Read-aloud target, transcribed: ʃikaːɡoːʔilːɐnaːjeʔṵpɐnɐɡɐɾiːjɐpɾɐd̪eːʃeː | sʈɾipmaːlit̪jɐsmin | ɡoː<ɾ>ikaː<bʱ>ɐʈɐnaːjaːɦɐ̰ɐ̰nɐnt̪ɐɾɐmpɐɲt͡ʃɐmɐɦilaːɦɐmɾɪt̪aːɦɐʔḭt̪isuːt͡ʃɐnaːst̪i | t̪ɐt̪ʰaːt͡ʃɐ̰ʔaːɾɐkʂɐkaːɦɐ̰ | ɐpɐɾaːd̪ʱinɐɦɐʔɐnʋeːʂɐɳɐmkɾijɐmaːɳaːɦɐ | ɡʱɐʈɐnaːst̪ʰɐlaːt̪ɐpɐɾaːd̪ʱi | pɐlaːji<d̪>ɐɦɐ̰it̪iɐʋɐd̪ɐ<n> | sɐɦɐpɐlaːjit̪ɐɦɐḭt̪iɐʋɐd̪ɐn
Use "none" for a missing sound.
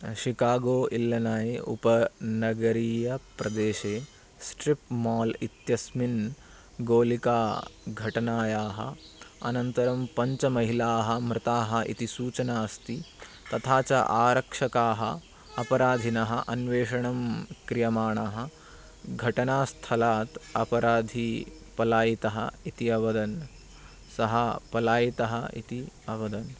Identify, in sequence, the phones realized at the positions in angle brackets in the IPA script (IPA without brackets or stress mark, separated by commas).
l, ɡʱ, t̪, n